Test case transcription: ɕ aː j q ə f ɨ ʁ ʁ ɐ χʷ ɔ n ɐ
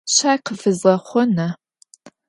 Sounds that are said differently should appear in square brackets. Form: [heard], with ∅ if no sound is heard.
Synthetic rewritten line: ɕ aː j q ə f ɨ [z] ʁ ɐ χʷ ɔ n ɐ